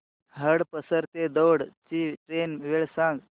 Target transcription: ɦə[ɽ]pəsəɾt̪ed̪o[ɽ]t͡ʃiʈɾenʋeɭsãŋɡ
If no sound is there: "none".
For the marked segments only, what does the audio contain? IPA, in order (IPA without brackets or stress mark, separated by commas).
ɽ, ɽ